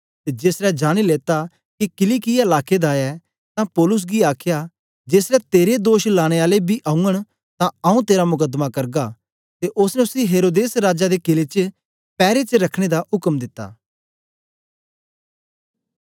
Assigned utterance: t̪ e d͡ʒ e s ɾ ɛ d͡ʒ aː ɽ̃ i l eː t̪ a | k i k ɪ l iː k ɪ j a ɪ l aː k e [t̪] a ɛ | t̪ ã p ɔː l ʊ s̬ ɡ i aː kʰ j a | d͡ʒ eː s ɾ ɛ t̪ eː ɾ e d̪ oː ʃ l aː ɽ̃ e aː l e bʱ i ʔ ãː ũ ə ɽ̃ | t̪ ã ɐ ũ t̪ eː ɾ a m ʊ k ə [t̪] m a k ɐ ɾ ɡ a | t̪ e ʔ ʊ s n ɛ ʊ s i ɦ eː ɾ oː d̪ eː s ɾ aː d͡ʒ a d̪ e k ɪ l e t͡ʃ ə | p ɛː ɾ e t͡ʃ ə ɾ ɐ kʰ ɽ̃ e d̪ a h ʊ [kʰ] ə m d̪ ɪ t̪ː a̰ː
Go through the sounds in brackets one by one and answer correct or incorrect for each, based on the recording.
incorrect, incorrect, incorrect

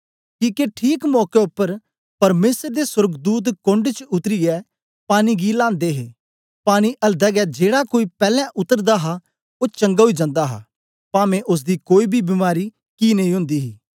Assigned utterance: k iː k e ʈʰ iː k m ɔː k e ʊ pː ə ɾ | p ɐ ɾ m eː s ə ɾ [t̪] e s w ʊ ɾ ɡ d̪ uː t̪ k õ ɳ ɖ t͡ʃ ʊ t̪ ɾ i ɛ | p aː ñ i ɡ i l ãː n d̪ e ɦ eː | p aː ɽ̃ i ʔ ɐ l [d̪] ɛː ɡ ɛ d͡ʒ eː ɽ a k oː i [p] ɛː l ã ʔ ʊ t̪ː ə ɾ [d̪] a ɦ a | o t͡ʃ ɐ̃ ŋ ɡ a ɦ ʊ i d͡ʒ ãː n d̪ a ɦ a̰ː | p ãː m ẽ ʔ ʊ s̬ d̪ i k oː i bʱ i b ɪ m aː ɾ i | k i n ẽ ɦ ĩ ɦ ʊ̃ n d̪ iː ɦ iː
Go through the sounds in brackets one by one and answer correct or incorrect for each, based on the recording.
incorrect, correct, correct, correct

